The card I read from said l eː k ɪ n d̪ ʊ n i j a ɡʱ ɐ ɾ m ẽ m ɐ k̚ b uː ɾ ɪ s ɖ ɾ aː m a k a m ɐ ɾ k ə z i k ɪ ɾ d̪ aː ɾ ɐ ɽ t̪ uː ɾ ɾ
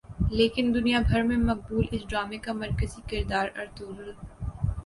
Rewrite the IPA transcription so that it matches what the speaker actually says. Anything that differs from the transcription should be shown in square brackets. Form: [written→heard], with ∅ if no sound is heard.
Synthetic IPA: l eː k ɪ n d̪ ʊ n i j a [ɡʱ→bʱ] ɐ ɾ m ẽ m ɐ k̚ b uː [ɾ→l] ɪ s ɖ ɾ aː m [a→e] k a m ɐ ɾ k ə z i k ɪ ɾ d̪ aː ɾ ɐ [ɽ→ɾ] t̪ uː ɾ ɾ